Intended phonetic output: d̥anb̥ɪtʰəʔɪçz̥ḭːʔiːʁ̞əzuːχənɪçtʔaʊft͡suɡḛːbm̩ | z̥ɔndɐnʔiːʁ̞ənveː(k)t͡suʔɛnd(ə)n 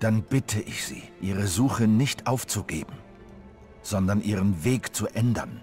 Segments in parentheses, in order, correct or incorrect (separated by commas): correct, incorrect